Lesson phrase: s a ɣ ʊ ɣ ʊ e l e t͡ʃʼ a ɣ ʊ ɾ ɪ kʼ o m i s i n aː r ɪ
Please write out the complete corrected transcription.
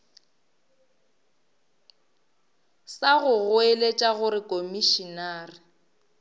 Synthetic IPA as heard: s a ɣ ʊ ɣ ʊ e l e t͡ʃʼ a ɣ ʊ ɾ ɪ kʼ o m i ʃ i n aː r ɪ